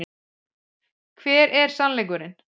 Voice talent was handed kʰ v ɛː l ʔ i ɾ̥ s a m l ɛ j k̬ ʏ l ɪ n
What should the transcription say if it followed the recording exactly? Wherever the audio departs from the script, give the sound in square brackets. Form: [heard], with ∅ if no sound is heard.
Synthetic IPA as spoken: kʰ v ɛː [ɾ] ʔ [ɛ] ɾ̥ s a [n] l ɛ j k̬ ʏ [ɾ] ɪ n